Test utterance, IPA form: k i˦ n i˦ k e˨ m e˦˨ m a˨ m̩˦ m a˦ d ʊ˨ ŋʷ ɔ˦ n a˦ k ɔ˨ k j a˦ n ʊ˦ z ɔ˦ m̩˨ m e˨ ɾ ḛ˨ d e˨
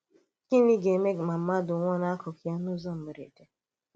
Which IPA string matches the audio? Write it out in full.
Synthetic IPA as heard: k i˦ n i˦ ɡ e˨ m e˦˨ m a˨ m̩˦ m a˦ d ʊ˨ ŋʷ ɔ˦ n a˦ k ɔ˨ k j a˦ n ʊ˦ z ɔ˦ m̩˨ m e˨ ɾ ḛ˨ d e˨

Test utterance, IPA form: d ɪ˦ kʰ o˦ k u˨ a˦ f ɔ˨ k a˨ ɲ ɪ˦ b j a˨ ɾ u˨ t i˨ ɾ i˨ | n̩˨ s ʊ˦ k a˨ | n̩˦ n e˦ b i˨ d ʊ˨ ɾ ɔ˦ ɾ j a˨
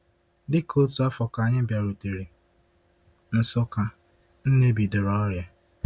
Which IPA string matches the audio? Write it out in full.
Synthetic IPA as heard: d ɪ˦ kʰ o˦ t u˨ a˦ f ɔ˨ k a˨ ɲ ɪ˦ b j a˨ ɾ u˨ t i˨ ɾ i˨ | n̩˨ s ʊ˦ k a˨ | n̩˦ n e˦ b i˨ d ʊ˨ ɾ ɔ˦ ɾ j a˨

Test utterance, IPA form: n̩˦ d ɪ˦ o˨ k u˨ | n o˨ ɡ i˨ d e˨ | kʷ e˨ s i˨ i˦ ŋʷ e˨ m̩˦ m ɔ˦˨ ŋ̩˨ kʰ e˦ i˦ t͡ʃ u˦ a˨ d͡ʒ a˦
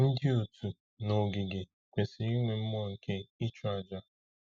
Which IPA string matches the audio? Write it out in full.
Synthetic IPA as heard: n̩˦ d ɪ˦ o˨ t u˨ | n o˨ ɡ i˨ ɡ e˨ | kʷ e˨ s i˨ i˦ ŋʷ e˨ m̩˦ m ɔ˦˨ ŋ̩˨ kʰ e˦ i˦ t͡ʃ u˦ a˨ d͡ʒ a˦

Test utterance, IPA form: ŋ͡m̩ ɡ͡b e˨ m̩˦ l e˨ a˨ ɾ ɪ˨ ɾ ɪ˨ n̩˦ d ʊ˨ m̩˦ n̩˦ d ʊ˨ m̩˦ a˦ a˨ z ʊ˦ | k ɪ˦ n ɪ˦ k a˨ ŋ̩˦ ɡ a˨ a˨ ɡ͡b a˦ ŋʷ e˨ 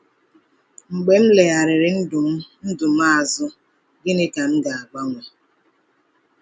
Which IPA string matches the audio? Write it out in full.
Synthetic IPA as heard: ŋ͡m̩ ɡ͡b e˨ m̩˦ l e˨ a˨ ɾ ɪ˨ ɾ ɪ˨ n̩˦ d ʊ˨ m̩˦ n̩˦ d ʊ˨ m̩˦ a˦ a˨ z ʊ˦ | ɡ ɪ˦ n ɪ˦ k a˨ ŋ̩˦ ɡ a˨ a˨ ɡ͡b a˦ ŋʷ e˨

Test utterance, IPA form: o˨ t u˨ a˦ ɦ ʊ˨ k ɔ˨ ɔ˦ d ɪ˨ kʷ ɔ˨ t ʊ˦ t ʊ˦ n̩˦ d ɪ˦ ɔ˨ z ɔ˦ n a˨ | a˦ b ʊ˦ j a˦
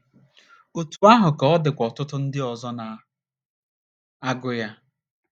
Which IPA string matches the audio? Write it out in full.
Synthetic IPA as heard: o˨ t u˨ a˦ ɦ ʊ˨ k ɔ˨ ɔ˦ d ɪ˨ kʷ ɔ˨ t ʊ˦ t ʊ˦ n̩˦ d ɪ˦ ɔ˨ z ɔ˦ n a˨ | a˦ ɡ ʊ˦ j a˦

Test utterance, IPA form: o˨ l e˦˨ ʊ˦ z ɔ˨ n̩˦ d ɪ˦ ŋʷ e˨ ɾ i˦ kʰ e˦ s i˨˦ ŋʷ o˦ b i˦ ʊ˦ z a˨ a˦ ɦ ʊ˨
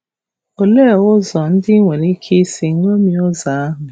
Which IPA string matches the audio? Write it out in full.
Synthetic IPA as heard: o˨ l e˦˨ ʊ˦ z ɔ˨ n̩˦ d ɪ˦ ŋʷ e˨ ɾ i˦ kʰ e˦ s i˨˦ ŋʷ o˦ m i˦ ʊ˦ z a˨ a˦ ɦ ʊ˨

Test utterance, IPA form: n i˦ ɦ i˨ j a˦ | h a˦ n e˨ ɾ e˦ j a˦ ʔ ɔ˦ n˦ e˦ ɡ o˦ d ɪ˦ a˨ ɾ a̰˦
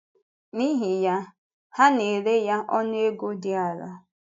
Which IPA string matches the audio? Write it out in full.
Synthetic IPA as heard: n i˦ ɦ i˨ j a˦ | h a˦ n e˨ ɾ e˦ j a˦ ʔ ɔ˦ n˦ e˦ ɡ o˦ d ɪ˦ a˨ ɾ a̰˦

